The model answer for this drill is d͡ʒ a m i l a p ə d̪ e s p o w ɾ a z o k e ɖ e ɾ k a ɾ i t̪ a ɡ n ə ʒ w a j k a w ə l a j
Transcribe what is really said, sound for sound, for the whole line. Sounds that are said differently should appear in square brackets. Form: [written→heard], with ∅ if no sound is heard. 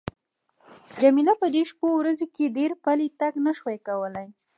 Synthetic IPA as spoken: d͡ʒ a m i l a p ə d̪ e [s→ʃ] p o w ɾ a z o k e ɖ e ɾ [k→p] a [ɾ→l] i t̪ a ɡ n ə [ʒ→ʃ] w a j k a w ə l a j